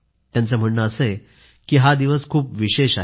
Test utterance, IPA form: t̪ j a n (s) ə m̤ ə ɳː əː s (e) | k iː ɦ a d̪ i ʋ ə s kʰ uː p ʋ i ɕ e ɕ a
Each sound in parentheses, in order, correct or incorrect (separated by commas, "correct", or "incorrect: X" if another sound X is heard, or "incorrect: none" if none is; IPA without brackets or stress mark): incorrect: t͡s, correct